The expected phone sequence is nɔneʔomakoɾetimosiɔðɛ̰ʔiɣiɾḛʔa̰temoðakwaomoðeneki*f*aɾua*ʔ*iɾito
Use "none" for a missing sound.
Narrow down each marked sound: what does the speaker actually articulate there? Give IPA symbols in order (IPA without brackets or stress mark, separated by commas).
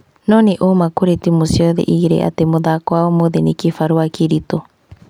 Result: f, k